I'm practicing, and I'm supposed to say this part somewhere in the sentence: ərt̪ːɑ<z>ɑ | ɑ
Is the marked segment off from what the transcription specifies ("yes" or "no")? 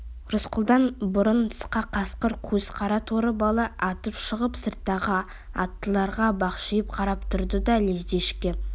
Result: yes